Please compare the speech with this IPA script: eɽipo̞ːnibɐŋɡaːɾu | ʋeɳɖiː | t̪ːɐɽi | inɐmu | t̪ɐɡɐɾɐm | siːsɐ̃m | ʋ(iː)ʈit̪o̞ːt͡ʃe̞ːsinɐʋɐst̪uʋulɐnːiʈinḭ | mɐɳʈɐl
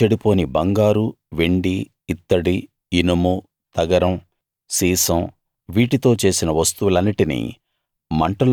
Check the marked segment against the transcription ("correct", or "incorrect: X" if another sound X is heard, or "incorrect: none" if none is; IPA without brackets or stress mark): correct